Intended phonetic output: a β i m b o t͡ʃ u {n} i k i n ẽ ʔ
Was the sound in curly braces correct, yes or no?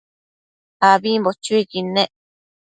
no